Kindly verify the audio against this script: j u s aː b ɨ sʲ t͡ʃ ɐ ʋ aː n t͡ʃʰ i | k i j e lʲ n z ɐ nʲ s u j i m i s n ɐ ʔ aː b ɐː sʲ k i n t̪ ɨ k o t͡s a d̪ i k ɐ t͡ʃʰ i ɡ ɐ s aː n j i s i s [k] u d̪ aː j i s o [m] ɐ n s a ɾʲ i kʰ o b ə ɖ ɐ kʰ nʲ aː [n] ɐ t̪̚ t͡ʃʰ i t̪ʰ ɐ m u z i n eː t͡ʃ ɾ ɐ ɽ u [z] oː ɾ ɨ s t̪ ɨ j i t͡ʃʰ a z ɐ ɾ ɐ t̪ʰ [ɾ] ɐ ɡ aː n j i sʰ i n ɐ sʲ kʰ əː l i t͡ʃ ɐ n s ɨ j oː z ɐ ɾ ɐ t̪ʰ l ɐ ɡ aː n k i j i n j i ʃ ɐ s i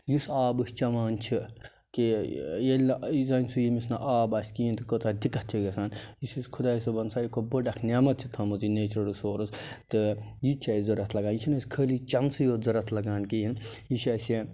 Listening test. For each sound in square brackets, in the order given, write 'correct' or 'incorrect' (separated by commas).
incorrect, incorrect, incorrect, incorrect, incorrect